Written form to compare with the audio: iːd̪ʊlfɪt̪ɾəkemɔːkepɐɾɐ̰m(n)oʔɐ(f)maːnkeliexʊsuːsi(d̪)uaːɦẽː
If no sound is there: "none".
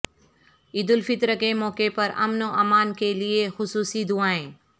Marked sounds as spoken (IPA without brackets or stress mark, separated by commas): n, none, d̪